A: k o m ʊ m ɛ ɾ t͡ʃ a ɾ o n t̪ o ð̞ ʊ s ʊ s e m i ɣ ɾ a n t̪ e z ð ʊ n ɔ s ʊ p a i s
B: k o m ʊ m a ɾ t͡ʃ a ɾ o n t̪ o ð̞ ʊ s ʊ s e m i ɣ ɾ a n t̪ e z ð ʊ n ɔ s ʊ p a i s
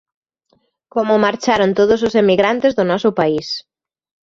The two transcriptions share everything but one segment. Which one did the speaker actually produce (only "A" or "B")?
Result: B